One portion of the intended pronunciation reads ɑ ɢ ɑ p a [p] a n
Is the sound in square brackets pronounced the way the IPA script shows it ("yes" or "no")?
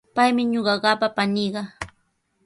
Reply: yes